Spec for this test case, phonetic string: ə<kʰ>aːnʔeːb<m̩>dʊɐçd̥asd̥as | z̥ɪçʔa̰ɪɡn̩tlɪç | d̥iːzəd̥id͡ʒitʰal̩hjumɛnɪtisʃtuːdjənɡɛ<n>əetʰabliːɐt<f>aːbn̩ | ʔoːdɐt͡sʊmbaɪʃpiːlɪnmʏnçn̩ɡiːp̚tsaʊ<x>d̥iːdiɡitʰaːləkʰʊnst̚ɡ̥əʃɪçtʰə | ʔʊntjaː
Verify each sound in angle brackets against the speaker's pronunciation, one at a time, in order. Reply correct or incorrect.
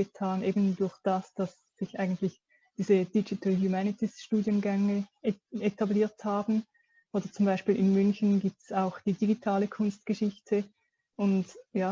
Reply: incorrect, incorrect, incorrect, incorrect, correct

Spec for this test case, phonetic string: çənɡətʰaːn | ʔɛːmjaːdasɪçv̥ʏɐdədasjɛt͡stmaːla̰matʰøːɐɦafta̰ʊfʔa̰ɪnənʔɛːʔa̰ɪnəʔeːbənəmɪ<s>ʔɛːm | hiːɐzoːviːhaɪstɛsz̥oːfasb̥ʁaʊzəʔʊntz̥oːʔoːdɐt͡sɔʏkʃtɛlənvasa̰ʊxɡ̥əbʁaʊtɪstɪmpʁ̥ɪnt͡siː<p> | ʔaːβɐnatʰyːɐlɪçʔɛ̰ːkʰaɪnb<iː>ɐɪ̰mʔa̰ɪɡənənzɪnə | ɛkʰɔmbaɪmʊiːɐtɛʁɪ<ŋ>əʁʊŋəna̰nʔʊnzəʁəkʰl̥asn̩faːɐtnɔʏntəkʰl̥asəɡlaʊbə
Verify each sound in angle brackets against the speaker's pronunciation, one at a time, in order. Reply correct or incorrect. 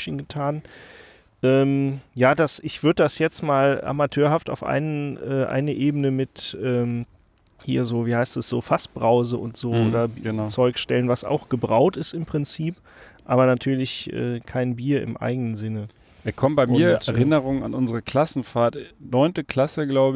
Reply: incorrect, correct, correct, incorrect

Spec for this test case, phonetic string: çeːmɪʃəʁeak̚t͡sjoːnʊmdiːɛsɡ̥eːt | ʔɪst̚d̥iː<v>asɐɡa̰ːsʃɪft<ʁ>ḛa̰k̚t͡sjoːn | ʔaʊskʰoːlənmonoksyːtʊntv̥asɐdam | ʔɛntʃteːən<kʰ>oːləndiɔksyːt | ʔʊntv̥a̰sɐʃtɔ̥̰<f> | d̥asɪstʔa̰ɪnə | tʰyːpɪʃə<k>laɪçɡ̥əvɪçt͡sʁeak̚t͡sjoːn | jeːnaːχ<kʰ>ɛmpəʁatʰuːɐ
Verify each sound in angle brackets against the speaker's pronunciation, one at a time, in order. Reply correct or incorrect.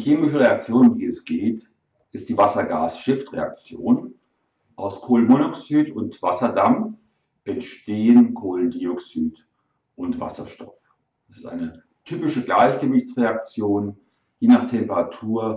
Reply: correct, correct, correct, correct, incorrect, incorrect

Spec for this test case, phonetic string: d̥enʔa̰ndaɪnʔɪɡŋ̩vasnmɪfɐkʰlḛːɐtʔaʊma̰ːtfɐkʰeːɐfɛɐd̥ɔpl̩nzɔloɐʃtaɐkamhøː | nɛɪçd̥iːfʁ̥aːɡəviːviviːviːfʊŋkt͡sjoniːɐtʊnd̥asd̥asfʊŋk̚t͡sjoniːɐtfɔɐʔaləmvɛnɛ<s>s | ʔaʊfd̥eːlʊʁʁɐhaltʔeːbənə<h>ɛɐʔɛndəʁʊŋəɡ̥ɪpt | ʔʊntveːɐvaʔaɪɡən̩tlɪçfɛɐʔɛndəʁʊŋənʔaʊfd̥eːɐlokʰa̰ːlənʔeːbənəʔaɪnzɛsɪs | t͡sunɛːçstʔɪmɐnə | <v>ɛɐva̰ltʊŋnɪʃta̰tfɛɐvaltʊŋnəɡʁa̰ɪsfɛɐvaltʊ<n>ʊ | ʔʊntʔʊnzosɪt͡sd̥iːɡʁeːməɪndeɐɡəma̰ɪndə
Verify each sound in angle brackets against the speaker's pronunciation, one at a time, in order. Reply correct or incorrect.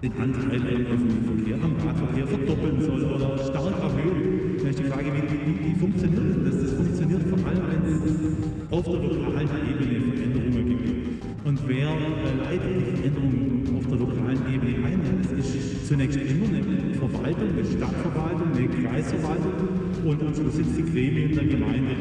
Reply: correct, incorrect, incorrect, incorrect

